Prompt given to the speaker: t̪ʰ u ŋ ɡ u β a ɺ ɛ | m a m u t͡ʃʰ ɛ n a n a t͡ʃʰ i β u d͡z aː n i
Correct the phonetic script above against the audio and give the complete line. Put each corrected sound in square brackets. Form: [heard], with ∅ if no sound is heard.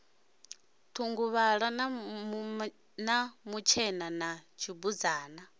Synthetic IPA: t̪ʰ u ŋ ɡ u β a ɺ [a] | [n] a m u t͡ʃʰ ɛ n a n a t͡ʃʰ i [b] u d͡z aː n [a]